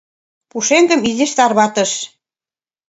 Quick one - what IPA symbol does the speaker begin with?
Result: p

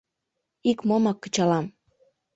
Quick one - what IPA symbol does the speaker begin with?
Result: i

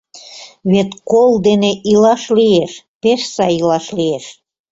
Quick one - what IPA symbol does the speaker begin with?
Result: β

